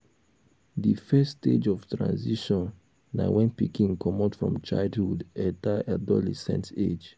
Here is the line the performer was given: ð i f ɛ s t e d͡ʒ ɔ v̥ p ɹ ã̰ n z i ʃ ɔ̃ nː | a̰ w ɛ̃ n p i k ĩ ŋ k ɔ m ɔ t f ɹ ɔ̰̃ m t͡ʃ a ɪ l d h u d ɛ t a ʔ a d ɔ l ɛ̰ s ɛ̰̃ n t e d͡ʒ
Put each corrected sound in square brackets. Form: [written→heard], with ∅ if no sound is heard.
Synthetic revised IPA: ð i f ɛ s t e d͡ʒ ɔ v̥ [p→t] ɹ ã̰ n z i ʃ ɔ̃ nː | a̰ w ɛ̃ n p i k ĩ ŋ k ɔ m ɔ t f ɹ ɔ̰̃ m t͡ʃ a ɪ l d h u d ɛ t a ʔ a d ɔ l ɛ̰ s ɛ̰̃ n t e d͡ʒ